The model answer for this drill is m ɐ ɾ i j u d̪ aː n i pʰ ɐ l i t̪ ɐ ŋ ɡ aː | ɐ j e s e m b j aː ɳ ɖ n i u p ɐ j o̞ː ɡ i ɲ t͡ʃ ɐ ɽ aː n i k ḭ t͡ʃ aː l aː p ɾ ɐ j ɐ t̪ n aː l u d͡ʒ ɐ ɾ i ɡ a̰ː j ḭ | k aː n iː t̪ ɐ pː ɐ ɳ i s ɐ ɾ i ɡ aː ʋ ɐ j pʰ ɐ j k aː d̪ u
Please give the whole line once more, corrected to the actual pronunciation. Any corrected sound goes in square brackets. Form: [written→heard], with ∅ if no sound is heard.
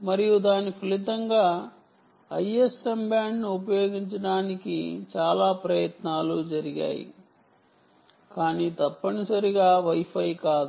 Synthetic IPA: m ɐ ɾ i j u d̪ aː n i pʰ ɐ l i t̪ ɐ ŋ ɡ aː | ɐ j e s e m b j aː ɳ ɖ n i u p ɐ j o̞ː ɡ i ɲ t͡ʃ ɐ ɽ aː n i k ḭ t͡ʃ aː l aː p ɾ ɐ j ɐ t̪ n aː l u d͡ʒ ɐ ɾ i ɡ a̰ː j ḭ | k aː n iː t̪ ɐ pː ɐ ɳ i s ɐ ɾ i ɡ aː ʋ ɐ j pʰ ɐ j k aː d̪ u

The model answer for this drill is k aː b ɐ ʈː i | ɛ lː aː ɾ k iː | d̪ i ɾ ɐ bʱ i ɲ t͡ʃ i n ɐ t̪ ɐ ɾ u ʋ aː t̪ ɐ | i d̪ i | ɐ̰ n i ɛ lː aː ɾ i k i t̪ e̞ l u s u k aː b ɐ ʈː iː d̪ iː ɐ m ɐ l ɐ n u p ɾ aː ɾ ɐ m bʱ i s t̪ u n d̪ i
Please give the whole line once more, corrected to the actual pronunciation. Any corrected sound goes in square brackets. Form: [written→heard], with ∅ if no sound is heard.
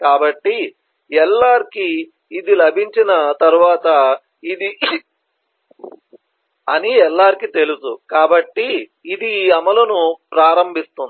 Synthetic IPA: k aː b ɐ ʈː i | ɛ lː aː ɾ k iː | d̪ i [ɾ→l] ɐ bʱ i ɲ t͡ʃ i n ɐ t̪ ɐ ɾ u ʋ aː t̪ ɐ | i d̪ i | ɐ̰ n i ɛ lː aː ɾ i k i t̪ e̞ l u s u k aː b ɐ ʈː iː d̪ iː ɐ m ɐ l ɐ n u p ɾ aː ɾ ɐ m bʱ i s t̪ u n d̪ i

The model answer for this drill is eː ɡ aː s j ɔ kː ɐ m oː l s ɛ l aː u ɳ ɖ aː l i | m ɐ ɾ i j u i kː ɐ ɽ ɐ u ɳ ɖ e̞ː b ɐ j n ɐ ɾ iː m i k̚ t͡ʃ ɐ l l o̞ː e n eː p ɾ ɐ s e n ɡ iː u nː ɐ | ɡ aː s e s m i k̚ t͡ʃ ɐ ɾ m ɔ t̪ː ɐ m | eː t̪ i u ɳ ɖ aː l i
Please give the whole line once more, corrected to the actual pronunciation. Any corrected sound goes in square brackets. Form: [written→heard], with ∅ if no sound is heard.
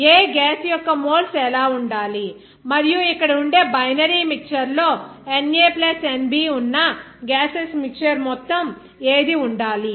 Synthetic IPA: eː ɡ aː s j ɔ kː ɐ m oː l s ɛ l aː u ɳ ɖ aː l i | m ɐ ɾ i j u i kː ɐ ɽ ɐ u ɳ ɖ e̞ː b ɐ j n ɐ ɾ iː m i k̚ t͡ʃ ɐ [l→ɾ] l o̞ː e n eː p [ɾ→l] ɐ s e n [ɡ→b] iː u nː ɐ | ɡ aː s e s m i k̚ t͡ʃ ɐ ɾ m ɔ t̪ː ɐ m | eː [t̪→d̪] i u ɳ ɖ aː l i

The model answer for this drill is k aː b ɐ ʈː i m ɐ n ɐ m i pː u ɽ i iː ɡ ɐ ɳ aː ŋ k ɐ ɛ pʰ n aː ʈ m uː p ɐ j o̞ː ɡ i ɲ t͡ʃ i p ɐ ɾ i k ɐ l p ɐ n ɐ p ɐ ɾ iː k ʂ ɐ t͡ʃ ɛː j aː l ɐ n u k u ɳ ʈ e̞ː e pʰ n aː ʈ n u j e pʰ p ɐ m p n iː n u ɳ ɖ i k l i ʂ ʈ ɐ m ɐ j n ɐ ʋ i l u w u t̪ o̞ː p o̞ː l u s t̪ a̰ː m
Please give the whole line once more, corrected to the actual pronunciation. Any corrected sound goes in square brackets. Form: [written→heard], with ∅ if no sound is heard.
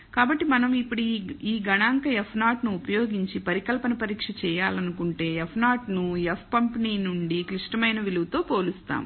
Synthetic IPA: k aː b ɐ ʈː i m ɐ n ɐ m i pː u ɽ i iː ɡ ɐ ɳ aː ŋ k ɐ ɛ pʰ n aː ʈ [m→n] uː p ɐ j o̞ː ɡ i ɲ t͡ʃ i p ɐ ɾ i k ɐ l p ɐ n ɐ p ɐ ɾ iː k ʂ ɐ t͡ʃ ɛː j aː l ɐ n u k u ɳ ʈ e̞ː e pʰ n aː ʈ n u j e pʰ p ɐ m p n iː n u ɳ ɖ i k l i ʂ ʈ ɐ m ɐ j n ɐ ʋ i l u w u t̪ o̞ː p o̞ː l u s t̪ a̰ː m

